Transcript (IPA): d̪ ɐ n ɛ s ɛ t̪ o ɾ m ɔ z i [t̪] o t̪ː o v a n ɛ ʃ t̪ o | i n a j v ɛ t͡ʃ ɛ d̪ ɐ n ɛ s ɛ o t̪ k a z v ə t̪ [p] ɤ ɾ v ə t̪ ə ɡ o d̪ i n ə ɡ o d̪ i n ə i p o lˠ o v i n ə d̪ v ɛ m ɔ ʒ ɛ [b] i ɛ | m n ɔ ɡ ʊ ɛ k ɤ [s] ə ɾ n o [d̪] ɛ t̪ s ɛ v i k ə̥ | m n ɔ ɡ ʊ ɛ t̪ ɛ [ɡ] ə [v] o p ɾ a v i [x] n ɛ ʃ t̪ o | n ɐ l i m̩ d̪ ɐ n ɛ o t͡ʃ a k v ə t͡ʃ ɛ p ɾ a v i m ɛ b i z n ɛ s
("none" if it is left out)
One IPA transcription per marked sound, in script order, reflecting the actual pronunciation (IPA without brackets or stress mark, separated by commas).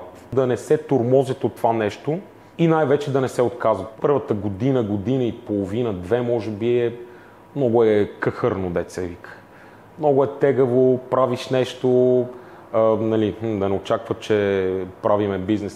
t̪, p, b, x, d̪, ɡ, v, ʃ